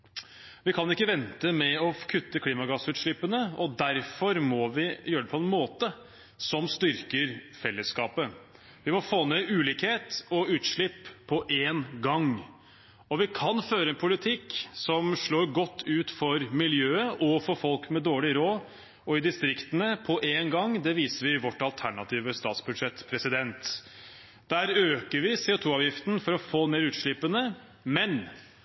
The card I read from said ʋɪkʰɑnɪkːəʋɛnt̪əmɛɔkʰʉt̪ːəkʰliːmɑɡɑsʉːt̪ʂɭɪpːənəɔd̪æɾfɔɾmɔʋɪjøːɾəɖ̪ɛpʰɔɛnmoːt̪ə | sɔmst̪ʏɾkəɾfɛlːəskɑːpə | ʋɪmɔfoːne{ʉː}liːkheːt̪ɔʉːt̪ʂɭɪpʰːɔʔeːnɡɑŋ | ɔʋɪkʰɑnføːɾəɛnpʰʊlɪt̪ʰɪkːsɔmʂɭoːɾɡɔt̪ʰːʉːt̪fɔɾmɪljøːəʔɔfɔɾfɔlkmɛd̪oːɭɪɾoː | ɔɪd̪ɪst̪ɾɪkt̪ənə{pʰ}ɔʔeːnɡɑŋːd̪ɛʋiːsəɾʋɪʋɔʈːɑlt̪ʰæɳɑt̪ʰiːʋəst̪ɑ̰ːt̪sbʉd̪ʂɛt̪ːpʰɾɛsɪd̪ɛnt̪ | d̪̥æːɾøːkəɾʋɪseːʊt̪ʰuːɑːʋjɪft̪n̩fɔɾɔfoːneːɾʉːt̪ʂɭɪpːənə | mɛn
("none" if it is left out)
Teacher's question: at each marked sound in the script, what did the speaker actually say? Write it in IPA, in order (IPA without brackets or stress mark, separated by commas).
ʉː, pʰ